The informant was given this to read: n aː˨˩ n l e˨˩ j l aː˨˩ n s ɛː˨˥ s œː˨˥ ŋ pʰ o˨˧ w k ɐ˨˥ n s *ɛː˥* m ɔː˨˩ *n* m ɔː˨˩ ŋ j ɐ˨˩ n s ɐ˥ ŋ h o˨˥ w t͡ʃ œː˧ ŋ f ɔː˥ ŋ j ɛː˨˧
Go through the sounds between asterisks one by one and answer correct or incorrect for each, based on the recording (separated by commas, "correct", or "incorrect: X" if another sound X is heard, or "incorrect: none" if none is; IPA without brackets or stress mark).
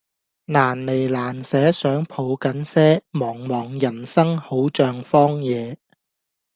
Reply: correct, incorrect: ŋ